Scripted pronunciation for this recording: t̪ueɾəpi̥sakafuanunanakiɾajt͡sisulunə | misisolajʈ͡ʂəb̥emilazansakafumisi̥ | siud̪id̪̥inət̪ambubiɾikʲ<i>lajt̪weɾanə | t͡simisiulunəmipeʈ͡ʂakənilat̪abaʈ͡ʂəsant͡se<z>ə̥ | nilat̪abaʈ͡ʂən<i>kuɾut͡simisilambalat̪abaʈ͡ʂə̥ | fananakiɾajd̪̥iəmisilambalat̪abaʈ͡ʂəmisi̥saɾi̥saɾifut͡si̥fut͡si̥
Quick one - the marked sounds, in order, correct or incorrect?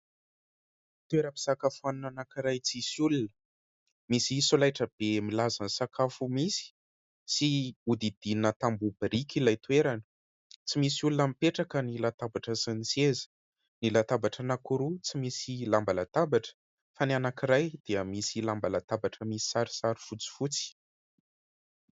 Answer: correct, correct, incorrect: a

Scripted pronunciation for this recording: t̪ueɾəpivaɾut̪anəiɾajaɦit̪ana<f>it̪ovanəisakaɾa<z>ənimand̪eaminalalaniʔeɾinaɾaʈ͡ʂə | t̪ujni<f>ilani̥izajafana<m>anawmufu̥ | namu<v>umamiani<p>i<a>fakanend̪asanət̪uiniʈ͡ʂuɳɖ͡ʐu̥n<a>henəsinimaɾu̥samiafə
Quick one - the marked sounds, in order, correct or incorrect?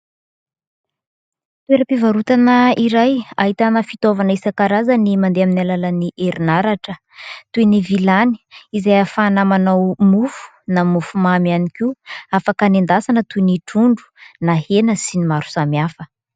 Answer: correct, correct, incorrect: v, correct, incorrect: f, incorrect: k, correct, correct

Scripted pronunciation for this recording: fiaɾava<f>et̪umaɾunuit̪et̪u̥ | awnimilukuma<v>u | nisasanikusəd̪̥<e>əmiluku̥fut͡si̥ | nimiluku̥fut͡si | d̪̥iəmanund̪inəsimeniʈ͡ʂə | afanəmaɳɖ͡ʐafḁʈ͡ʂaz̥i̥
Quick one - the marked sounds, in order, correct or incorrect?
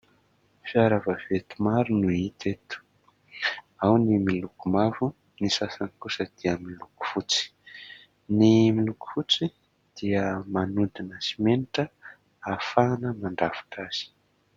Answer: incorrect: v, correct, incorrect: i

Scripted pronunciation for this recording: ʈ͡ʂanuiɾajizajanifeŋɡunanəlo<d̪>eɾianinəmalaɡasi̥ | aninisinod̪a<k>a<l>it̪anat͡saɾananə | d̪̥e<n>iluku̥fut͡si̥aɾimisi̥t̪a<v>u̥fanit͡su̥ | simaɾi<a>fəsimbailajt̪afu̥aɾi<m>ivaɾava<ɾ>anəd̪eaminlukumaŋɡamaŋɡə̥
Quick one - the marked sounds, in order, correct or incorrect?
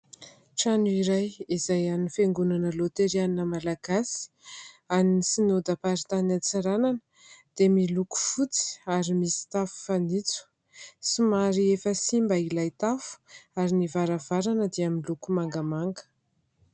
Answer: incorrect: t̪, incorrect: p, incorrect: ɾ, incorrect: m, incorrect: f, incorrect: e, incorrect: n, correct

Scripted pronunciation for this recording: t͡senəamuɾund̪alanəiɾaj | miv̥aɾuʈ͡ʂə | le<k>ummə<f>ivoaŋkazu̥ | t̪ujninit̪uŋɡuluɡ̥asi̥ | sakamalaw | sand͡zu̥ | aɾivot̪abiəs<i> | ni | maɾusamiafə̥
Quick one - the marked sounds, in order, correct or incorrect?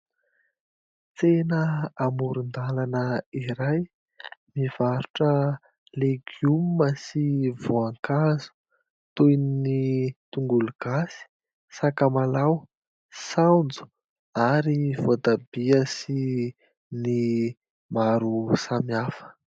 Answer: incorrect: ɡ, incorrect: s, correct

